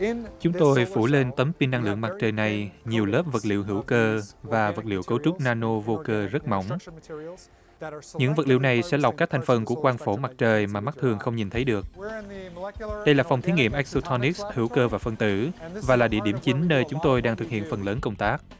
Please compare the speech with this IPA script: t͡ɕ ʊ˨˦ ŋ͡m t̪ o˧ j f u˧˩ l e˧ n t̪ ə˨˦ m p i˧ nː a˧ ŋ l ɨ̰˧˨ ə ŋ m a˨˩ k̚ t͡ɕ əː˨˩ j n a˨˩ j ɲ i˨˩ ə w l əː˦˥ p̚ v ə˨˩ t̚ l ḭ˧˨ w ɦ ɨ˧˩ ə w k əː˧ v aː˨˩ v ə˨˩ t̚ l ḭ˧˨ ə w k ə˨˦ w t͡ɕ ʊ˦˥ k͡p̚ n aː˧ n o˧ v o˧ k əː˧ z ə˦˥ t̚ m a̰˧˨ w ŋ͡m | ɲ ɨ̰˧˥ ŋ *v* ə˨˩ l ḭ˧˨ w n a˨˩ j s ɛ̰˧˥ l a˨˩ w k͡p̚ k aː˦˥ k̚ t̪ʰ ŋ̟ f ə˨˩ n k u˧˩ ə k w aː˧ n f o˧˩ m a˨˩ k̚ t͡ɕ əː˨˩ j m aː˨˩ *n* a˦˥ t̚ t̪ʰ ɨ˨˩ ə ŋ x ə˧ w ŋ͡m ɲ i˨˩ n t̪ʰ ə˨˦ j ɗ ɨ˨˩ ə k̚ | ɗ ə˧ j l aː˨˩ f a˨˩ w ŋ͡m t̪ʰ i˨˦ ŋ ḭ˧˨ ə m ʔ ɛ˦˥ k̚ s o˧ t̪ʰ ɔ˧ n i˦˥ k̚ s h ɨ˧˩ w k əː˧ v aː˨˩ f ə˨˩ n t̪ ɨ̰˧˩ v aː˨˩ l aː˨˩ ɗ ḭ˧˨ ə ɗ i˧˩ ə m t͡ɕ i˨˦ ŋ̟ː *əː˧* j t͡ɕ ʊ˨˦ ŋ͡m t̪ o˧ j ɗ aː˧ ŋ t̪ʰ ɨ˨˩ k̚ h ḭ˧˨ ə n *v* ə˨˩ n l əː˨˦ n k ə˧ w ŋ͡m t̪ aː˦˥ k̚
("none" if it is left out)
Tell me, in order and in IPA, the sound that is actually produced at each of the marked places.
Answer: v, m, əː˧, f

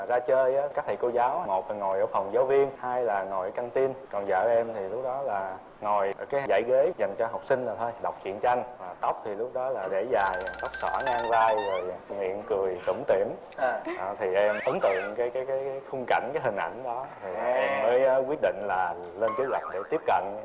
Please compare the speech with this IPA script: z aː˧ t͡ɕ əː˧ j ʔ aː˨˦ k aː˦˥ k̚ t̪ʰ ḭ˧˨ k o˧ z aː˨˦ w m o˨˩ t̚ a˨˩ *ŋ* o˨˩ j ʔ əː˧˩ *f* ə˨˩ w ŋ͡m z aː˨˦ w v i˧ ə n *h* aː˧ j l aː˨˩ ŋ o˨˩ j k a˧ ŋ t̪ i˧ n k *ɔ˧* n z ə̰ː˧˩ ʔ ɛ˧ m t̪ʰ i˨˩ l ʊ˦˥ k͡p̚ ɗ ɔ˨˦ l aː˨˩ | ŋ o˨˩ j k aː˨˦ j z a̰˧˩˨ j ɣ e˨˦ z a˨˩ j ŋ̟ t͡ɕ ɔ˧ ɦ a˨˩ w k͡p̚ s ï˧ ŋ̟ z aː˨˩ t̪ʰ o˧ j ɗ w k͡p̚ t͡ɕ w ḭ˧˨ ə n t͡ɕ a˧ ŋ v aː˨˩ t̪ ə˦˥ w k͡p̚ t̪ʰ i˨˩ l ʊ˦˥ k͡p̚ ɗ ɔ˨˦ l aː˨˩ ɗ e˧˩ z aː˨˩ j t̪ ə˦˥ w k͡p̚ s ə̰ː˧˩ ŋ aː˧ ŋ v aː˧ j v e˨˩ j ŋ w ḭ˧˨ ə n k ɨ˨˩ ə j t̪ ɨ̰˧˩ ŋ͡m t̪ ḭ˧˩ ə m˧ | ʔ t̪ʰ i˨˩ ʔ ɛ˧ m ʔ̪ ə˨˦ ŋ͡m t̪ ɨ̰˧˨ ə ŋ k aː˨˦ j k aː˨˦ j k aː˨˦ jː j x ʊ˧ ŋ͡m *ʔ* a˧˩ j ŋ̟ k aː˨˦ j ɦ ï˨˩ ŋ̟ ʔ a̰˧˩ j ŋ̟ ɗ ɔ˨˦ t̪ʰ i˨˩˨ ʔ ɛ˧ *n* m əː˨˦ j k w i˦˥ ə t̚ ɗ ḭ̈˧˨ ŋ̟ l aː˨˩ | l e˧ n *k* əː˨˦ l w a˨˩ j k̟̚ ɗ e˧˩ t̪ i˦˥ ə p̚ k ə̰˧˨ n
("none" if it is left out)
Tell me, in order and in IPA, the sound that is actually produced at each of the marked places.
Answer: ŋ, f, h, ɔ˨˩, k, m, k

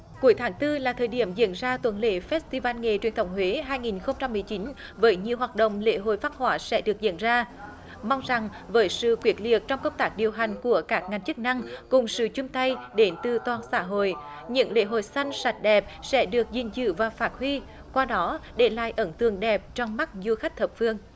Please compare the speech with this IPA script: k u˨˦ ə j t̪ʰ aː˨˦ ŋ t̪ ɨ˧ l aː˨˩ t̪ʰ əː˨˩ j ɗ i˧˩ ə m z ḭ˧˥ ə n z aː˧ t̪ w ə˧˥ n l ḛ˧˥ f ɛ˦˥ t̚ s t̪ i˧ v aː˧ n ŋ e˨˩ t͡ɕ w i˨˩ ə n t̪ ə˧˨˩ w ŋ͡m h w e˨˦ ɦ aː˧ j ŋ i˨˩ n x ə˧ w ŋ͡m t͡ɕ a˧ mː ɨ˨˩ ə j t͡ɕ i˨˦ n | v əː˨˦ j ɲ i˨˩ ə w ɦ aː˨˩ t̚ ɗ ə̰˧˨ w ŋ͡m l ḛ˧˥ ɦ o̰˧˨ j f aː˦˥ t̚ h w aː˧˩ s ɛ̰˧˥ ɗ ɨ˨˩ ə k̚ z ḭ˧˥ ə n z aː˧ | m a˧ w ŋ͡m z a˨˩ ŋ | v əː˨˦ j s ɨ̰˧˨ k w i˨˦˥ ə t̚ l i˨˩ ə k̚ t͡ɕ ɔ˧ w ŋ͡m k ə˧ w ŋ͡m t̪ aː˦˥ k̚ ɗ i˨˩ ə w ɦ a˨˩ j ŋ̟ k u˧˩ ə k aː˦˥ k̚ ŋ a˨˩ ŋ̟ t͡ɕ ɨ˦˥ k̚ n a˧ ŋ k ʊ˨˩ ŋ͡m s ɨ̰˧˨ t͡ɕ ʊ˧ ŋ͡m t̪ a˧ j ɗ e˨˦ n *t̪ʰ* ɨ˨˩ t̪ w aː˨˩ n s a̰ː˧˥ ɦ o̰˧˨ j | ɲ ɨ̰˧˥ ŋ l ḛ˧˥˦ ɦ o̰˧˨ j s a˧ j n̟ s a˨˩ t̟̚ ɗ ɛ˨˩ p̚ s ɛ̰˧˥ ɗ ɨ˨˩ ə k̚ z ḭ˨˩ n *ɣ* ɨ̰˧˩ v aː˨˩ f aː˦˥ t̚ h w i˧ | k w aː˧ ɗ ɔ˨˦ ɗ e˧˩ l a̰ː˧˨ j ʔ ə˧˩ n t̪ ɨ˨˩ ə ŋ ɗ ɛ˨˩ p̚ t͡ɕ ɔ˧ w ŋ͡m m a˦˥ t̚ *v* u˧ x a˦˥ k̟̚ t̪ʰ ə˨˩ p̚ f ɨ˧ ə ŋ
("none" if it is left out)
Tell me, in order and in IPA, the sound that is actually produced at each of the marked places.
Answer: t̪, z, z

